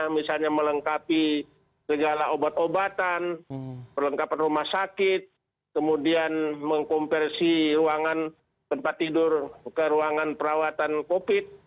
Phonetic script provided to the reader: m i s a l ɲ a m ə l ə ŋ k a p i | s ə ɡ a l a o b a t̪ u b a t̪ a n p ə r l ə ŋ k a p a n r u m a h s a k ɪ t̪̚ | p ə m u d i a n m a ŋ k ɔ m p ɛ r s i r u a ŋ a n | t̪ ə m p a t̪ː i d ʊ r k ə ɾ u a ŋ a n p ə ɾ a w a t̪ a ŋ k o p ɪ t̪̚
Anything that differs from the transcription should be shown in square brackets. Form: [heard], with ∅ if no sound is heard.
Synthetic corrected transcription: m i s a l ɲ a m ə l ə ŋ k a p i | s ə ɡ a l a o b a t̪ [o] b a t̪ a n p ə r l ə ŋ k a p a n r u m a h s a k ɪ t̪̚ | [k] ə m u d i a n m [ə] ŋ k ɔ m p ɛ r s i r u a ŋ a n | t̪ ə m p a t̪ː i d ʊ r k ə ɾ u a ŋ a n p ə ɾ a w a t̪ a [n] k o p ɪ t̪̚